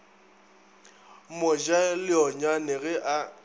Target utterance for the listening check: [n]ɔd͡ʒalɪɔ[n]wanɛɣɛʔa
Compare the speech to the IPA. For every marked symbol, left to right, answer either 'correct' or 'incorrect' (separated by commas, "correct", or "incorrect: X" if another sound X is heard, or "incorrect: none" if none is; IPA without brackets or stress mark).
incorrect: m, incorrect: ɲ